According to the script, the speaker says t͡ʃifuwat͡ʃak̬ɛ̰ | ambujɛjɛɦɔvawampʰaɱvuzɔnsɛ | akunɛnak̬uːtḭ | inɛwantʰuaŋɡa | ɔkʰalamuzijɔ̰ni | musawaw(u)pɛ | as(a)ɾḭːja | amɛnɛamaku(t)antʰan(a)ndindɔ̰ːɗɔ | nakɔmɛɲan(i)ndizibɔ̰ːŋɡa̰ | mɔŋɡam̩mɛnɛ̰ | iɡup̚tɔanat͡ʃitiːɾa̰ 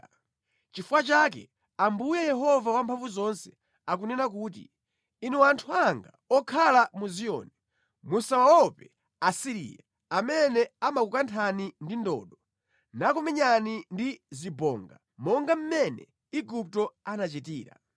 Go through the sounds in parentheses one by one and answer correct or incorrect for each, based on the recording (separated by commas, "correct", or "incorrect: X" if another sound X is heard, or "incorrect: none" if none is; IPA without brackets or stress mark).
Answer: incorrect: ɔ, incorrect: i, incorrect: k, incorrect: i, correct